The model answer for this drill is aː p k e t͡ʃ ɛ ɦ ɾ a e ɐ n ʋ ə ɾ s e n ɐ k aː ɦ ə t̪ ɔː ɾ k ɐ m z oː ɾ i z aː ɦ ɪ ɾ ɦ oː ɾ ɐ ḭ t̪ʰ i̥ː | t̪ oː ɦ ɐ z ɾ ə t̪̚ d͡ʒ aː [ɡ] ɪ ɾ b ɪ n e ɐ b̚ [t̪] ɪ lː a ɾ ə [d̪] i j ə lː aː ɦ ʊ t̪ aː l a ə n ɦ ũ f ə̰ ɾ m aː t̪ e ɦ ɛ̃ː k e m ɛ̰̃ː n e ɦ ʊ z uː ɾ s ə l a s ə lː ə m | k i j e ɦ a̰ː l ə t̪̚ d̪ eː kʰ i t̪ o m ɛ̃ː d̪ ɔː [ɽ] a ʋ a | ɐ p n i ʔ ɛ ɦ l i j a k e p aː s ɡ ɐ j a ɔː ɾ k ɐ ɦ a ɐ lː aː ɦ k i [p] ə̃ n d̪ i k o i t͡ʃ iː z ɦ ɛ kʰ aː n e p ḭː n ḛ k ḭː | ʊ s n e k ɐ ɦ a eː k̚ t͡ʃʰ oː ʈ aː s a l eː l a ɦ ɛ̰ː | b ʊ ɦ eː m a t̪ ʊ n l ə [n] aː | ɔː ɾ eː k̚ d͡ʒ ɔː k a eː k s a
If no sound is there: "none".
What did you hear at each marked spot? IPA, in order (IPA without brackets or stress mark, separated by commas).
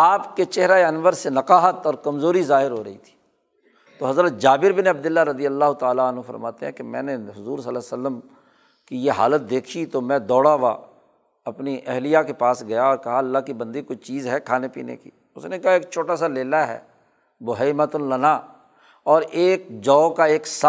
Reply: b, d̪, d̪, ɽ, b, n